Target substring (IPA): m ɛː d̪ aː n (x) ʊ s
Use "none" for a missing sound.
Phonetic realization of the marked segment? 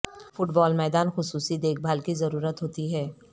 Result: x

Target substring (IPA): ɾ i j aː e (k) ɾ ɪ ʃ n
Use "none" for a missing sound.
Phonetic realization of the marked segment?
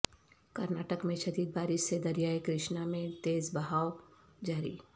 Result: k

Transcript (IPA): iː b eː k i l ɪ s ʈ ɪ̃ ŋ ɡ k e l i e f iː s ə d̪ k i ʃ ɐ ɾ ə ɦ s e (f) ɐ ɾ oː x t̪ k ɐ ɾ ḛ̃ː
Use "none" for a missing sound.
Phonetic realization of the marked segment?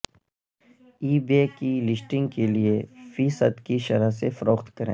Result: f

